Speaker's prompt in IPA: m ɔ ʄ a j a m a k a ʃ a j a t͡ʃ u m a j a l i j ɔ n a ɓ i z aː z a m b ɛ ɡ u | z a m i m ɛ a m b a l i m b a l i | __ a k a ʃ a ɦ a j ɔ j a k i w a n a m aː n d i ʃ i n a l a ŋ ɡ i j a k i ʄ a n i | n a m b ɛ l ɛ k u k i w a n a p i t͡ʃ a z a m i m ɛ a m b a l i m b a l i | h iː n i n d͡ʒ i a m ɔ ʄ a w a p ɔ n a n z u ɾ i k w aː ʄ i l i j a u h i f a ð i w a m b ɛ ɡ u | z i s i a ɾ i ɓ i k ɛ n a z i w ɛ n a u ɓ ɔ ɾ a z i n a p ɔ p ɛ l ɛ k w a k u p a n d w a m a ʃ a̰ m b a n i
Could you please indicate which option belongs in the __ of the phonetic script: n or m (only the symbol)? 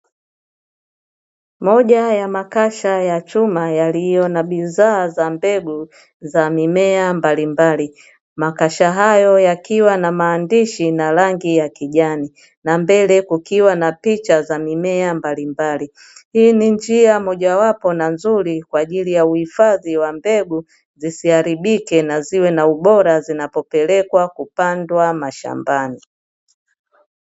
m